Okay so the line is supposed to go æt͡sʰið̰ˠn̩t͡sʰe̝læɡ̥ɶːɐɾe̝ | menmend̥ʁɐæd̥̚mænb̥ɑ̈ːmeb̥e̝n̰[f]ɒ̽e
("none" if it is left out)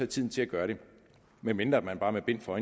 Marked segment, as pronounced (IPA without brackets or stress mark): f